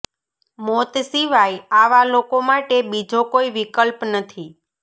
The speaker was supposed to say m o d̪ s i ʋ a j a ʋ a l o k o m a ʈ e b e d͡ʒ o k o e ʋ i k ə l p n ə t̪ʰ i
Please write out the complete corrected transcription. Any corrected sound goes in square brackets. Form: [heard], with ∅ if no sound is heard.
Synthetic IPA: m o [t̪] s i ʋ a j a ʋ a l o k o m a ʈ e b [i] d͡ʒ o k o [i] ʋ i k ə l p n ə t̪ʰ i